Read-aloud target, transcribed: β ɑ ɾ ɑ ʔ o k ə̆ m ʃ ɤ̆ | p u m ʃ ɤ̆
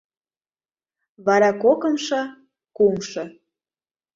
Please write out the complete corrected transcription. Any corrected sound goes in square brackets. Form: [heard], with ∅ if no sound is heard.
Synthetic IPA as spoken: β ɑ ɾ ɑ [k] o k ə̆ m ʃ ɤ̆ | [k] u m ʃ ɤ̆

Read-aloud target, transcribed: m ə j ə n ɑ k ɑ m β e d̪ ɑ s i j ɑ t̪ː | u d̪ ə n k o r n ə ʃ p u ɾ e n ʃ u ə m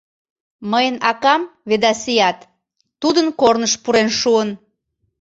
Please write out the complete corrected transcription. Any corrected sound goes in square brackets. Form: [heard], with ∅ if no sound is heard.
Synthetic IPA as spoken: m ə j ə n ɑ k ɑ m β e d̪ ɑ s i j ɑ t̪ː | u d̪ ə n k o r n ə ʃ p u ɾ e n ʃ u ə [n]

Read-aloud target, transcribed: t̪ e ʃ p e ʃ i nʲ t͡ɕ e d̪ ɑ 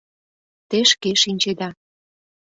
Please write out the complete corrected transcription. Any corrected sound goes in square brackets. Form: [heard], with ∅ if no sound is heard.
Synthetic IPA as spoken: t̪ e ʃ [k] e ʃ i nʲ t͡ɕ e d̪ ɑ

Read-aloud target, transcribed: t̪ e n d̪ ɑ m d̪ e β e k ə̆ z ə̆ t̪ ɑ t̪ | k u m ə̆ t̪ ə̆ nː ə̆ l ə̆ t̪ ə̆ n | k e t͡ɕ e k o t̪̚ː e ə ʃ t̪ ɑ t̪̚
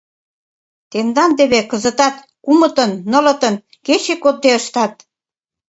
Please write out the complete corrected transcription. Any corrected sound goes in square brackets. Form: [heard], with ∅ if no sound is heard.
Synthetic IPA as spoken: t̪ e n d̪ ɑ [n] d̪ e β e k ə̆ z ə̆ t̪ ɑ t̪ | k u m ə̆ t̪ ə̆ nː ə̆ l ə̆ t̪ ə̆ n | k e t͡ɕ e k o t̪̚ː e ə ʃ t̪ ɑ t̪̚

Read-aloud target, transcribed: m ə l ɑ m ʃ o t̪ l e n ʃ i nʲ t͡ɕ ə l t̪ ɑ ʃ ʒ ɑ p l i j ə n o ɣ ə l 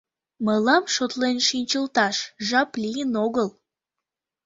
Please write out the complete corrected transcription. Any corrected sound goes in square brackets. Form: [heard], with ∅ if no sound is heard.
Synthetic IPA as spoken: m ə l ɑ m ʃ o t̪ l e n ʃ i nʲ t͡ɕ ə l t̪ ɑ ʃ ʒ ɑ p l i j ə n o ɣ ə l

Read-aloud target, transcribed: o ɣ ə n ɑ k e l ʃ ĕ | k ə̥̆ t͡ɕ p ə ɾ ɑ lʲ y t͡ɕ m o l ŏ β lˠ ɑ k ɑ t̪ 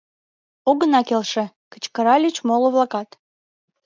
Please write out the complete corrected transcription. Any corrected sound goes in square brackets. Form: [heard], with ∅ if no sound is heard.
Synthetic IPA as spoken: o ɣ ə n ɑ k e l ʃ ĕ | k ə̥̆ t͡ɕ [k] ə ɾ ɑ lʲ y t͡ɕ m o l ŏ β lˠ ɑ k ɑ t̪

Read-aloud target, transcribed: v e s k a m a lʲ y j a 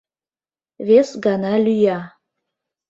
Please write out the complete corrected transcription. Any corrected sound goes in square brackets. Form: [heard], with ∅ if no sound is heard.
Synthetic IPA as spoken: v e s [ɡ] a [n] a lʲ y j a

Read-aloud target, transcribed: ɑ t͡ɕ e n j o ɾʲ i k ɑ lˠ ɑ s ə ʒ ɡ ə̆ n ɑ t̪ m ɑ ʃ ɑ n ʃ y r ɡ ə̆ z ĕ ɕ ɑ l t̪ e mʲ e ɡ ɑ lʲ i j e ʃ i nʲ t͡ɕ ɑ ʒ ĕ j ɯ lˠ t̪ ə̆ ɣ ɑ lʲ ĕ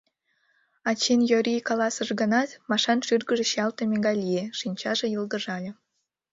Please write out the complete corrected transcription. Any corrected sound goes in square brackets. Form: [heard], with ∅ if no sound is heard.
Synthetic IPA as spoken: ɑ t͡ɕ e n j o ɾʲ i k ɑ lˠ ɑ s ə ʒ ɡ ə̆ n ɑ t̪ m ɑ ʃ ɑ n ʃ y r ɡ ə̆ [ʒ] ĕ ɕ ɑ l t̪ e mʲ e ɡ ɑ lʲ i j e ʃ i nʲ t͡ɕ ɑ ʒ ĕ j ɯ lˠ [d̪] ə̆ [ʒ] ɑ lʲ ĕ

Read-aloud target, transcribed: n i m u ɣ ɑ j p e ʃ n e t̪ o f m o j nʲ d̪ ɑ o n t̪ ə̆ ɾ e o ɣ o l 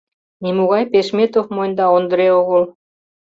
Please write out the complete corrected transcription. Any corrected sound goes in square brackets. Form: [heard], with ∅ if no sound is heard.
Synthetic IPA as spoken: n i m u ɣ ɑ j p e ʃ [m] e t̪ o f m o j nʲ d̪ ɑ o n [d̪] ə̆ ɾ e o ɣ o l

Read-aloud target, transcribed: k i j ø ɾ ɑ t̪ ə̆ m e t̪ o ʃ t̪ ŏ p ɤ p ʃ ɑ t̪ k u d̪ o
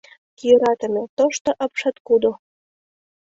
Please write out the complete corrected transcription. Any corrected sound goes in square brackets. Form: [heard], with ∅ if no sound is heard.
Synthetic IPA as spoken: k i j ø ɾ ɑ t̪ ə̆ m e t̪ o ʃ t̪ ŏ [ʔ] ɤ p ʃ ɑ t̪ k u d̪ o

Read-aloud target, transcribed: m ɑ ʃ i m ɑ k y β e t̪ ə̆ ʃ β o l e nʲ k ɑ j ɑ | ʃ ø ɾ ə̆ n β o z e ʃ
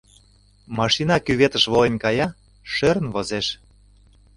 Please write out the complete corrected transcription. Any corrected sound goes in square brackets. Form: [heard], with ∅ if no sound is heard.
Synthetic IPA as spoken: m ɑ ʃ i [n] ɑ k y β e t̪ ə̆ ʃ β o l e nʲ k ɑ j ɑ | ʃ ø ɾ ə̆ n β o z e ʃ

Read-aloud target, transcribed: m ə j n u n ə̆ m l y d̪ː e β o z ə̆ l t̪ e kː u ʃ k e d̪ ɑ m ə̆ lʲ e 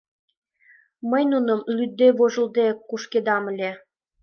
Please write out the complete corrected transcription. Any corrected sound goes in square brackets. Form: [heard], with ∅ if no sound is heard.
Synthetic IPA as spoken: m ə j n u n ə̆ m l y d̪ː e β o [ʒ] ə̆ l [d̪] e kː u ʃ k e d̪ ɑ m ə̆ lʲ e

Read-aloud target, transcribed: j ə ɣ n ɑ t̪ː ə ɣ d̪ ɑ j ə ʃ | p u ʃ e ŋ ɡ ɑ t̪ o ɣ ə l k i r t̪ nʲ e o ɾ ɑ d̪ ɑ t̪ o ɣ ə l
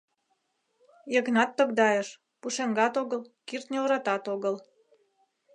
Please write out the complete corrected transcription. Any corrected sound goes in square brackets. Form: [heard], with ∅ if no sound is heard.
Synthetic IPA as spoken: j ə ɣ n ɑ t̪ː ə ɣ d̪ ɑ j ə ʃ | p u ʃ e ŋ ɡ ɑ t̪ o ɣ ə l k i r t̪ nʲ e o ɾ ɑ [t̪] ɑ t̪ o ɣ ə l

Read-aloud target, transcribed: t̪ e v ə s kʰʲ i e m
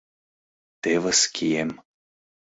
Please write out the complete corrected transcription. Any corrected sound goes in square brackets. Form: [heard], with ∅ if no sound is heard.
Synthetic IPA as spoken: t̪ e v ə s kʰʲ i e m

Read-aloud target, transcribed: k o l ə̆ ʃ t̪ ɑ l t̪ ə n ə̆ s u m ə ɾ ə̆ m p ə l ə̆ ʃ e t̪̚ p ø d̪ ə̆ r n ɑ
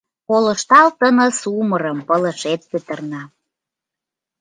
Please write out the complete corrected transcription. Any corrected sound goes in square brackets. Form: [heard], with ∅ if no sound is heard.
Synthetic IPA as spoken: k o l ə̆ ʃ t̪ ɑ l t̪ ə n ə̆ s u m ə ɾ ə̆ m p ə l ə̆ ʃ e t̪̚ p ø [t̪] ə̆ r n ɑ

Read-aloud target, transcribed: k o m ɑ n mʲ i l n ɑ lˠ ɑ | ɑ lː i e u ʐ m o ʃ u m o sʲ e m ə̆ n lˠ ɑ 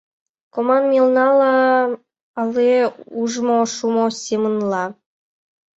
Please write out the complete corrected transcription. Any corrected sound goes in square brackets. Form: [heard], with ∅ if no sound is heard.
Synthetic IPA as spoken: k o m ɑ n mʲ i l n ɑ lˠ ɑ | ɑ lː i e u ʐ m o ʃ u m o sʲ e m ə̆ n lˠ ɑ

